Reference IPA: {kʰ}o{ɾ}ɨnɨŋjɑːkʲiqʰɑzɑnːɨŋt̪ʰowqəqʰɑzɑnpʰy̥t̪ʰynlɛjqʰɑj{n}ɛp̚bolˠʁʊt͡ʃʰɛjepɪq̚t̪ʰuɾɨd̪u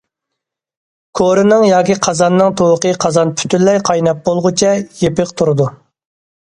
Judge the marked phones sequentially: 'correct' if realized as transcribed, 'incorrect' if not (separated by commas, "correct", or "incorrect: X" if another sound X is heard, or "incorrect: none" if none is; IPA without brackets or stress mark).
correct, correct, correct